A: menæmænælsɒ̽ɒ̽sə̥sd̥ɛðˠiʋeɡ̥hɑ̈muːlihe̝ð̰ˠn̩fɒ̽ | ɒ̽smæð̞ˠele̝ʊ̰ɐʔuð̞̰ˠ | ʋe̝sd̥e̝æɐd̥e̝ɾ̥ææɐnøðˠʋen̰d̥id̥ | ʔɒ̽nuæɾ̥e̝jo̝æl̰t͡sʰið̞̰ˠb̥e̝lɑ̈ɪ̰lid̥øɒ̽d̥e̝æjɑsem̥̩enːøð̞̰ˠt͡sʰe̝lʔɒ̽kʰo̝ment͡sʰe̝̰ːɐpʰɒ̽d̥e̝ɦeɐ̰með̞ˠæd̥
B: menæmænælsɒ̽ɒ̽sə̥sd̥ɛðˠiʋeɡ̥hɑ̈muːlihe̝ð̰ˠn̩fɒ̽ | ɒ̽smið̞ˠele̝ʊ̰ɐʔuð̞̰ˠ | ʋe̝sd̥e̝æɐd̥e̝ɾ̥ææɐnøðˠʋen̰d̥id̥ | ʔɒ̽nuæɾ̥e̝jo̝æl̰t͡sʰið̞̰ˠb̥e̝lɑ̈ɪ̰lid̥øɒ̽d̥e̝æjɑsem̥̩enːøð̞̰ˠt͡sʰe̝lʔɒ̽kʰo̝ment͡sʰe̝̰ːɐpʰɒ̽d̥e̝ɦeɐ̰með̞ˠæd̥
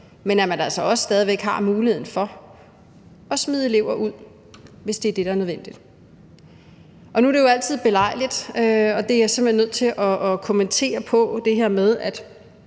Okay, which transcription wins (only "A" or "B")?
B